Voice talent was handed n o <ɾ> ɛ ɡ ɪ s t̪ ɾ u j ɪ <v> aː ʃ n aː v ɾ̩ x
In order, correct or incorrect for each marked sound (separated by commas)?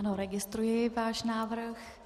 correct, correct